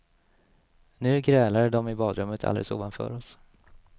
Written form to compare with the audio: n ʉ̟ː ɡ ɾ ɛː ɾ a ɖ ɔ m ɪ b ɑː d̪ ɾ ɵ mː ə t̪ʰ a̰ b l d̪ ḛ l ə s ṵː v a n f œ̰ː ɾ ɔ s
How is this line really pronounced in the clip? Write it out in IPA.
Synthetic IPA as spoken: n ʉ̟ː ɡ ɾ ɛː l a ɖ ɔ m ɪ b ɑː d̪ ɾ ɵ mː ə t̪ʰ a̰ l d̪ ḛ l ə s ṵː v a n f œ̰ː ɾ ɔ s